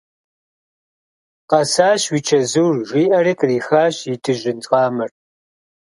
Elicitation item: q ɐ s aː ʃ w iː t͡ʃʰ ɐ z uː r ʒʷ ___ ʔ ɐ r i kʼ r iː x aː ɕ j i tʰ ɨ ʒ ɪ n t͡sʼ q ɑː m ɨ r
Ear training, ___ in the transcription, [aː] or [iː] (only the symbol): iː